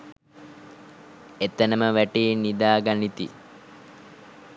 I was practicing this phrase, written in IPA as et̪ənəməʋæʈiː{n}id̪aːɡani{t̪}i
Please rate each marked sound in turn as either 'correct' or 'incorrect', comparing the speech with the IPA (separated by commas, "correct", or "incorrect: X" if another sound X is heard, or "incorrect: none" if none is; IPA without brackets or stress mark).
correct, correct